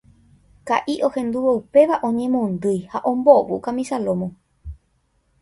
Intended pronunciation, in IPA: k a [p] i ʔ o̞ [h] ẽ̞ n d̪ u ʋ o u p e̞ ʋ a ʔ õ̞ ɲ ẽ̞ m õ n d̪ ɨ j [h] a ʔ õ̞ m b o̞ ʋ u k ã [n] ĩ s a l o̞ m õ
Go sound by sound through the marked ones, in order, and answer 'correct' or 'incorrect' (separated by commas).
incorrect, correct, correct, incorrect